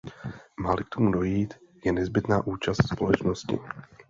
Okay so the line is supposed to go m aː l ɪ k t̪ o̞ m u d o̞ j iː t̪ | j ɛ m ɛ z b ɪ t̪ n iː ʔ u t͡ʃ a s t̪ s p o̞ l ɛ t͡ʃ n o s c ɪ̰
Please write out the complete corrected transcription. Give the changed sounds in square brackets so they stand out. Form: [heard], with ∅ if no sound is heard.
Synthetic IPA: m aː l ɪ k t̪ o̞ m u d o̞ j iː t̪ | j ɛ [n] ɛ z b ɪ t̪ n [aː] ʔ [uː] t͡ʃ a s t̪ s p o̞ l ɛ t͡ʃ n o s c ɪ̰